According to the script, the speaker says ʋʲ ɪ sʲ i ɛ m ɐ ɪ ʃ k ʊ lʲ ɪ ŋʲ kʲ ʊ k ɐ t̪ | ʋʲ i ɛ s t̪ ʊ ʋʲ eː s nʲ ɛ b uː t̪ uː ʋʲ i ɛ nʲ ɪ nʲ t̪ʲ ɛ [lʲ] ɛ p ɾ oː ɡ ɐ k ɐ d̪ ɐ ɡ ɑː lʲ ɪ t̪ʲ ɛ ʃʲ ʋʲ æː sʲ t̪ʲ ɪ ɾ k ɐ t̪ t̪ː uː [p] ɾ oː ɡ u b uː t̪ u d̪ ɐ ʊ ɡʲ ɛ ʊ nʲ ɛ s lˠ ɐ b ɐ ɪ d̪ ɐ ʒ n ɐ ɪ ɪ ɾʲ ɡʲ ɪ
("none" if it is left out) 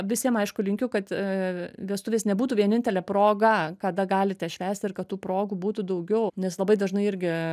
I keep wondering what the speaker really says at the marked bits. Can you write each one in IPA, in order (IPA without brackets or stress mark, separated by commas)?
lʲ, p